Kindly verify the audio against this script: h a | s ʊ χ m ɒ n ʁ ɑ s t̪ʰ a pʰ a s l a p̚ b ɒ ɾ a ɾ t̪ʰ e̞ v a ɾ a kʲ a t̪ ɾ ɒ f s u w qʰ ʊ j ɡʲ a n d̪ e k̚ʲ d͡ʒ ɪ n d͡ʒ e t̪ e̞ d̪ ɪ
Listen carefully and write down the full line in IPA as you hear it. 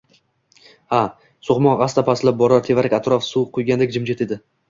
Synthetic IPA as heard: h a | s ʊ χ m ɒ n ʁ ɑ s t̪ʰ a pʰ a s l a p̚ b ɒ ɾ a ɾ t̪ʰ e̞ v a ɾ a kʲ a t̪ ɾ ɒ f s u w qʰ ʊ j ɡʲ a n d̪ e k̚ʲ d͡ʒ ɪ m d͡ʒ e t̪ e̞ d̪ ɪ